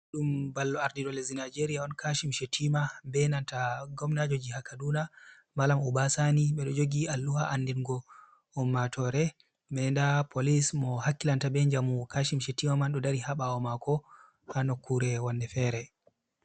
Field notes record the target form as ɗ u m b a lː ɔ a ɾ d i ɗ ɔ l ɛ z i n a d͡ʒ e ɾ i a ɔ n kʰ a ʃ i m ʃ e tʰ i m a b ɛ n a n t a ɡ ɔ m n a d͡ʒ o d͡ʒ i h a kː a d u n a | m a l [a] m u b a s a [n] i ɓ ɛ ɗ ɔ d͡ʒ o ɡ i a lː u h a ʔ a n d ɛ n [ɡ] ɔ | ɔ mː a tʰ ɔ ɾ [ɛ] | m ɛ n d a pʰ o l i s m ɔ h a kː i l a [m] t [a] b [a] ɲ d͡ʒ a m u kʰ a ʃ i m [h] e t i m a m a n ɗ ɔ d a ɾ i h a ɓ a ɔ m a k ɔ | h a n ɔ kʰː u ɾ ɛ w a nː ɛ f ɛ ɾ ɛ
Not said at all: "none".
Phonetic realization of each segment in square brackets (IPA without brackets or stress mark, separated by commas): a, n, ɡ, ɛ, n, a, ɛ, ʃ